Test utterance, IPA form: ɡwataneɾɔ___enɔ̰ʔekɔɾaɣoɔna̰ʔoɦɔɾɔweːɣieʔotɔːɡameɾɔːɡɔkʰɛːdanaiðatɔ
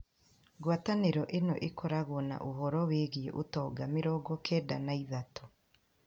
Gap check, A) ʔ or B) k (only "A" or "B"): A